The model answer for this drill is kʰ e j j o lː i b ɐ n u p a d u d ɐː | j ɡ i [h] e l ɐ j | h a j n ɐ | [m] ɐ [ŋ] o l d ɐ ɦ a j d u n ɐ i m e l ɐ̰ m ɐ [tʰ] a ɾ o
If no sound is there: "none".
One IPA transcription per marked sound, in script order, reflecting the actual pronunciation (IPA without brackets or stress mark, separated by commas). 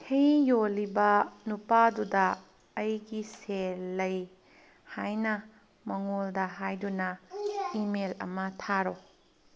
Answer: s, m, ŋ, tʰ